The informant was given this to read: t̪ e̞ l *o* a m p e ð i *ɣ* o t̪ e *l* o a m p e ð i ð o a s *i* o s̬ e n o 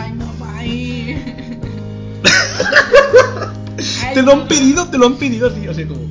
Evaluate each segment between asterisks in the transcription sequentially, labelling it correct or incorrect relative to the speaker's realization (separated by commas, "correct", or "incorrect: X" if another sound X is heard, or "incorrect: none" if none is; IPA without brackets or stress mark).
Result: correct, incorrect: ð, correct, correct